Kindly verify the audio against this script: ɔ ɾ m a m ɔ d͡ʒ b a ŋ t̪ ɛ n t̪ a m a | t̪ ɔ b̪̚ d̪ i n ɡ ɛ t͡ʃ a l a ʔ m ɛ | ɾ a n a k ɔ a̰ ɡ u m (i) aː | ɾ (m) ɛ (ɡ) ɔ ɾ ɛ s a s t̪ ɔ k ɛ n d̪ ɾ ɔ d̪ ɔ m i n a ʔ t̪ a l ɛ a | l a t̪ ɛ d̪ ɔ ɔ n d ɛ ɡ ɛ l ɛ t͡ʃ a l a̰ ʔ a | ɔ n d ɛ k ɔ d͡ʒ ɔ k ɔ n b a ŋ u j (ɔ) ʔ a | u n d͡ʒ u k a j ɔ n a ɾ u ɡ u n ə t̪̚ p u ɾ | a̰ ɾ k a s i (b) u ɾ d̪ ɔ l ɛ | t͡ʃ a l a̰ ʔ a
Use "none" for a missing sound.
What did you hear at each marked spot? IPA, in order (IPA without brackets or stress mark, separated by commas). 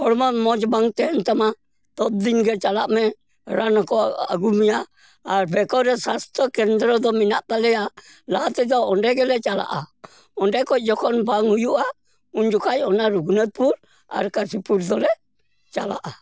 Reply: i, b, k, u, p